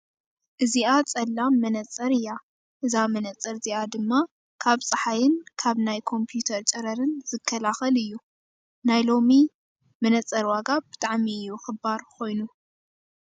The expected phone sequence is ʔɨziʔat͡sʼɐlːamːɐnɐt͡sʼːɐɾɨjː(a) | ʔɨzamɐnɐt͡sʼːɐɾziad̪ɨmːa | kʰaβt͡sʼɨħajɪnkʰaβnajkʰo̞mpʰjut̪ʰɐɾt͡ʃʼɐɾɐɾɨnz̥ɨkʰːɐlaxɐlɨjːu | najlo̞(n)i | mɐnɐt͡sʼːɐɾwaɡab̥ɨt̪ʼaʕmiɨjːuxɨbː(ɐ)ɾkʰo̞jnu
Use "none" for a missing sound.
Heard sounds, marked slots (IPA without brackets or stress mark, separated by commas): a, m, a